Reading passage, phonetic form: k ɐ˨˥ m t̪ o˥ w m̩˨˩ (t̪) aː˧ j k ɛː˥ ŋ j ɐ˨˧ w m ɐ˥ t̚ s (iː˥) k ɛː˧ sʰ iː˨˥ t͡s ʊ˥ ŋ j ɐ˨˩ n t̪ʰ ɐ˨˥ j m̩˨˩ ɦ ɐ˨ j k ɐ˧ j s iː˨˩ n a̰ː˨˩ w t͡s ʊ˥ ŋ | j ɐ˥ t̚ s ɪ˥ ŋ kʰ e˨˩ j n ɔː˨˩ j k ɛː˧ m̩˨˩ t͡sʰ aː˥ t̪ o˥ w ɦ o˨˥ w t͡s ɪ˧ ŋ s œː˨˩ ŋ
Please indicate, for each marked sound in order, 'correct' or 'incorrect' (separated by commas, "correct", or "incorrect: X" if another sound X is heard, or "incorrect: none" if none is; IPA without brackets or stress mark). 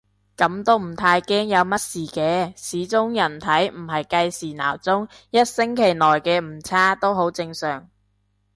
incorrect: t̪ʰ, incorrect: iː˨˩